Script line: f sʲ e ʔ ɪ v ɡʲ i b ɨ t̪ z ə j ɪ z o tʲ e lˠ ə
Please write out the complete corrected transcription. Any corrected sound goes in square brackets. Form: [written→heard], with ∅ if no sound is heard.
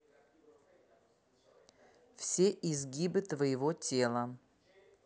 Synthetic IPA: f sʲ e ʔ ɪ [v→z] ɡʲ i b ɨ t̪ [z→v] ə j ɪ [z→v] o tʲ e lˠ ə